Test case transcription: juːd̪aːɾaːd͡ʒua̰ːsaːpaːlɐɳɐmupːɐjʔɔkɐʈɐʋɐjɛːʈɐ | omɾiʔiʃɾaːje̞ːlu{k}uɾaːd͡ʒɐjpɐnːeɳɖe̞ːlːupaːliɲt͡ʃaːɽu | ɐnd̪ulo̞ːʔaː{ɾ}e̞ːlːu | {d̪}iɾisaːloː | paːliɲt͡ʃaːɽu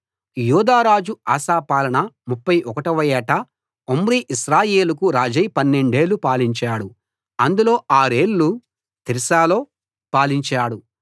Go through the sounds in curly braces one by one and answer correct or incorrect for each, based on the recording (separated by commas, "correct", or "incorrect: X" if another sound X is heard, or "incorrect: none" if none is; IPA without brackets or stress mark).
correct, correct, incorrect: t̪